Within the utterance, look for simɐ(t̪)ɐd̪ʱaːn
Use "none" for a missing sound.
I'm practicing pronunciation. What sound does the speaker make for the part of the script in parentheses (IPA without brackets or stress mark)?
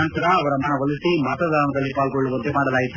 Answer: t̪